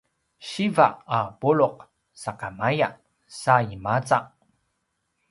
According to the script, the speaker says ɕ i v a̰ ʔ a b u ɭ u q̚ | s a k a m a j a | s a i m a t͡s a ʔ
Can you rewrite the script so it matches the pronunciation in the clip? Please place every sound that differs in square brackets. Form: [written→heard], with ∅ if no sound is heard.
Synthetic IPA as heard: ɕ i v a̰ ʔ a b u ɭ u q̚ | s a k a m a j a | s a i m a t͡s a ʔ